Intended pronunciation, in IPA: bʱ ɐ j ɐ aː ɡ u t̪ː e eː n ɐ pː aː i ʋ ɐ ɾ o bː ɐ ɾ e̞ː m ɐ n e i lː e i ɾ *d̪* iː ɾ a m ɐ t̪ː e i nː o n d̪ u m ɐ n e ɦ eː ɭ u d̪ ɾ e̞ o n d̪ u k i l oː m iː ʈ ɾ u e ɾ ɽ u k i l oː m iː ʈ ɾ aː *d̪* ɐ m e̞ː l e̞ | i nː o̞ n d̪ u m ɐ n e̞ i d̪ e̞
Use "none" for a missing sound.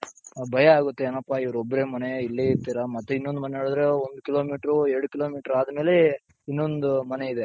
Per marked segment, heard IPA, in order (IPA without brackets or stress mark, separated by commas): t̪, d̪